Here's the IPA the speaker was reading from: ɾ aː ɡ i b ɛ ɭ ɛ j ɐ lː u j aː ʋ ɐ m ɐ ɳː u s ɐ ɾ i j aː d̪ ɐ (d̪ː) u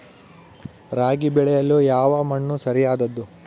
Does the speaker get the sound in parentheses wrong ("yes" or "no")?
no